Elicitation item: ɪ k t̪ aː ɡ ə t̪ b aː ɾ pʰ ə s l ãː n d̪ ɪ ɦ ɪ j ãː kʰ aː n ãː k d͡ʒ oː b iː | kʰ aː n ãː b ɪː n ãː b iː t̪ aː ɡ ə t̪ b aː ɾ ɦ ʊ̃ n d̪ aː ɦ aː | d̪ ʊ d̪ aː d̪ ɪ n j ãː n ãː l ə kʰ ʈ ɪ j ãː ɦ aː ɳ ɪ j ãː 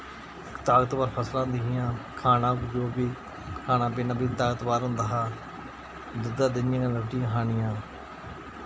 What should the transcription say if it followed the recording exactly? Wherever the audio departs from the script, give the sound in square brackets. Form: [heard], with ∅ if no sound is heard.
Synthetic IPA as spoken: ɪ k t̪ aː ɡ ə t̪ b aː ɾ pʰ ə s l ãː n d̪ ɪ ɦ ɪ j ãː kʰ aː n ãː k d͡ʒ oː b iː | kʰ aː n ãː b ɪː n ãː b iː t̪ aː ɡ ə t̪ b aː ɾ ɦ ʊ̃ n d̪ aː ɦ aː | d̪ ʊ d̪ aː d̪ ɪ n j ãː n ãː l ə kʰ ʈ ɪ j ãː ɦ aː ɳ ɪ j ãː